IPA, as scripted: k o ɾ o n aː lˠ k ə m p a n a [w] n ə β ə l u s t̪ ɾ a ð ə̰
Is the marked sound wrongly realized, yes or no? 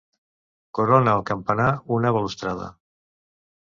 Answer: yes